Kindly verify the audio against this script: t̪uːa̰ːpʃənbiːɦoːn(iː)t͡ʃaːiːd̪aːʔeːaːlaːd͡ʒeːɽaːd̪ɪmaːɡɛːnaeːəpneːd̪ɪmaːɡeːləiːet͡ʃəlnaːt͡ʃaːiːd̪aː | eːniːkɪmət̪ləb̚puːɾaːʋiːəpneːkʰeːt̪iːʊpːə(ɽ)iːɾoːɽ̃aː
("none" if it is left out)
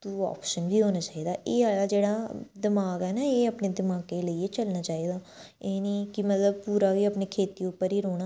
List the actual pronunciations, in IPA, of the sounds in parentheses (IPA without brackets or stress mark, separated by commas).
aː, ɾ